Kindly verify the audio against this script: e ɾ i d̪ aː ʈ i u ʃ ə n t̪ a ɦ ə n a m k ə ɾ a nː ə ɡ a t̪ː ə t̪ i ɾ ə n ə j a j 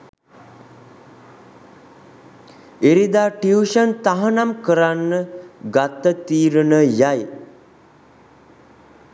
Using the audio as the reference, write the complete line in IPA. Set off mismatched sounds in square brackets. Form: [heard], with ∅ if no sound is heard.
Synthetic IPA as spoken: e ɾ i d̪ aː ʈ i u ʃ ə n t̪ a ɦ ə n a m k ə ɾ a nː ə ɡ a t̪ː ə t̪ [iː] ɾ ə n ə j a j